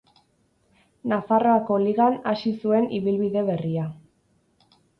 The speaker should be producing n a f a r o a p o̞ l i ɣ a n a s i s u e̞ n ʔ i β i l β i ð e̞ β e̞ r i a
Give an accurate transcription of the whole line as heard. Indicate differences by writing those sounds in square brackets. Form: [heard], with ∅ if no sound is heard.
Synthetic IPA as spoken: n a f a r o a [k] o̞ l i ɣ a n a s i s u e̞ n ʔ i β i l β i ð e̞ β e̞ r i a